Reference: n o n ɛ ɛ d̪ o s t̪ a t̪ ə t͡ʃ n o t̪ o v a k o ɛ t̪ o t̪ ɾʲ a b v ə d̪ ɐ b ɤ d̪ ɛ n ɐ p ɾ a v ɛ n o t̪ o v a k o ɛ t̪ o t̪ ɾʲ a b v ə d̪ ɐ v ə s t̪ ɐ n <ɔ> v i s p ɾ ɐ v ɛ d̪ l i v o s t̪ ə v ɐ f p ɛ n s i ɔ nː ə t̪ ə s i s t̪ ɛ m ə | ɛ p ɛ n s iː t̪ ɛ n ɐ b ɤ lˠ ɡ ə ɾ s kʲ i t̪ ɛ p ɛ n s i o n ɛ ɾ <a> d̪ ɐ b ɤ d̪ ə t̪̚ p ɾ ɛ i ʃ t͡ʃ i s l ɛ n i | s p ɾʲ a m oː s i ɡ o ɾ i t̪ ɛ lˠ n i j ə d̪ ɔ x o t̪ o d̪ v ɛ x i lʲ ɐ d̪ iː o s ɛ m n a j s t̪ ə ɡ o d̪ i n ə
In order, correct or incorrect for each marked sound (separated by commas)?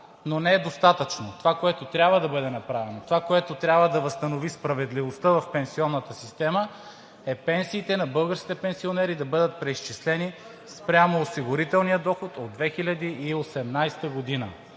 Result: incorrect, incorrect